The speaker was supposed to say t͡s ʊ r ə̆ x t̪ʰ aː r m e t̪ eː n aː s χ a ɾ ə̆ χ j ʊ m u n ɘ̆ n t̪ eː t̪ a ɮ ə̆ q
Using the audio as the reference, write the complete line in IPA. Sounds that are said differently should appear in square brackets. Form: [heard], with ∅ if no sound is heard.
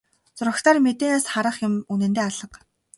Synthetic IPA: t͡s ʊ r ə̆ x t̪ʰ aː r m e t̪ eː n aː s χ a ɾ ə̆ χ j ʊ m u n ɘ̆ n t̪ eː [∅] a ɮ ə̆ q